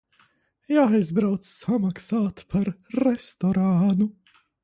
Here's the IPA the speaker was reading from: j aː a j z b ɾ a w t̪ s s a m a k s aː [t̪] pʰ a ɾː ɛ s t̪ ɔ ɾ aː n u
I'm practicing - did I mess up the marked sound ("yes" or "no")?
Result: no